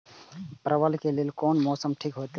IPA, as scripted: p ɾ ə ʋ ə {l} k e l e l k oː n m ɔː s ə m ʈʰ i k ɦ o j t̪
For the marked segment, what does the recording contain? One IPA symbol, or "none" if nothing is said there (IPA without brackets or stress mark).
l